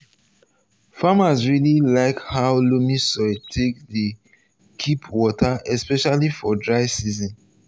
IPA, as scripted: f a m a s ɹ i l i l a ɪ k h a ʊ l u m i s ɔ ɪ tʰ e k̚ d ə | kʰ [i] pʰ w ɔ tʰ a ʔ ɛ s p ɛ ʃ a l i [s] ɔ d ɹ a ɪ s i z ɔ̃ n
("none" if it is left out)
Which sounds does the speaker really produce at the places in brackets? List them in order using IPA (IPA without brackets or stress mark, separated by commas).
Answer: i, f